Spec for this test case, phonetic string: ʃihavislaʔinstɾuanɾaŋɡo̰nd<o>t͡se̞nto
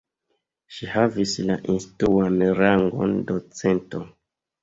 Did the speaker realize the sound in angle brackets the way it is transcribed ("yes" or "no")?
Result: yes